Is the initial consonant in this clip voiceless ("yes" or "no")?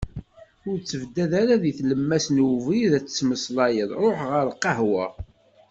no